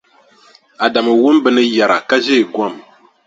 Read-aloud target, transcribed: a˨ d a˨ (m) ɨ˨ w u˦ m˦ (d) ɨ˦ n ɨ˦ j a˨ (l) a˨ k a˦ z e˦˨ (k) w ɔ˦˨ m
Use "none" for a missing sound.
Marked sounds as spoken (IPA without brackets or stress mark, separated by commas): m, b, ɾ, ɡ